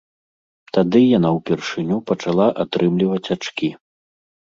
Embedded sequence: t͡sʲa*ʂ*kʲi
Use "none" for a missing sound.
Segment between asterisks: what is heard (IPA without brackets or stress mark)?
t͡ʂ